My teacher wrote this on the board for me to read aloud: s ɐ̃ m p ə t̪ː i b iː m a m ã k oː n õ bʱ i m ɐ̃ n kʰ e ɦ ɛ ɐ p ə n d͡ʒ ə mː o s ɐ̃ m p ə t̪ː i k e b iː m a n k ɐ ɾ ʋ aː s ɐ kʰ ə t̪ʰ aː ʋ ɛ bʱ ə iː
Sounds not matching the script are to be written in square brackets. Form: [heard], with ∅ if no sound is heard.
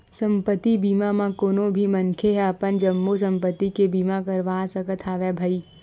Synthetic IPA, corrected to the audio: s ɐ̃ m p ə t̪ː i b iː m a m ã k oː n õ bʱ i m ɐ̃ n kʰ e ɦ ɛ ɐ p ə n d͡ʒ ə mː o s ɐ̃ m p ə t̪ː i k e b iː m a [∅] k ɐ ɾ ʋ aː s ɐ [k] ə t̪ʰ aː ʋ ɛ bʱ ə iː